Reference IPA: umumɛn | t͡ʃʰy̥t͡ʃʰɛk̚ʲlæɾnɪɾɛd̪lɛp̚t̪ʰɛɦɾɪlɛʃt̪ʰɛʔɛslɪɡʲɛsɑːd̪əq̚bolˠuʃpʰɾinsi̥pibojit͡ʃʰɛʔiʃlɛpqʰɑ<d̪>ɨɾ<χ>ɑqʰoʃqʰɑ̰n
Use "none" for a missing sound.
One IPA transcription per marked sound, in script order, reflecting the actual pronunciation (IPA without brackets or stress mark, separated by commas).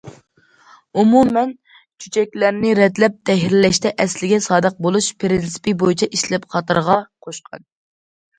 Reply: t̪, ʁ